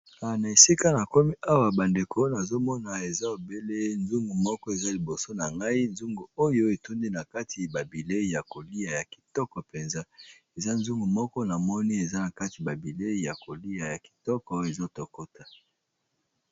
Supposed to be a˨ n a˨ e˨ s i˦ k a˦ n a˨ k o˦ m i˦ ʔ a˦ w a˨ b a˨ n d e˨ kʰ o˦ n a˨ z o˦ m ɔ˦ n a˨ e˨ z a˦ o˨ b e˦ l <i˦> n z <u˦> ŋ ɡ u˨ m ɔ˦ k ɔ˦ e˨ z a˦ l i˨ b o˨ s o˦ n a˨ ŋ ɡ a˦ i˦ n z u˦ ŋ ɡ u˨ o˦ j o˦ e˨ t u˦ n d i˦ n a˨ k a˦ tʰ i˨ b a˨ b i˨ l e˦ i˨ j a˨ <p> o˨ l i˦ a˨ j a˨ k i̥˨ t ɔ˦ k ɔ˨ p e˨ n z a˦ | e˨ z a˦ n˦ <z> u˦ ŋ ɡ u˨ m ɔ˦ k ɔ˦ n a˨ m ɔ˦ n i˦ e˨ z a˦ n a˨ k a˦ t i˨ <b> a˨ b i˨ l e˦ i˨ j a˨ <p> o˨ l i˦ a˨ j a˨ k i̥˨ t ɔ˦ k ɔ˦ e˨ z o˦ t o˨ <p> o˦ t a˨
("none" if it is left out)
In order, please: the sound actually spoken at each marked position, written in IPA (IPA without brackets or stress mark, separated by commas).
e˦, u˦, k, z, b, k, k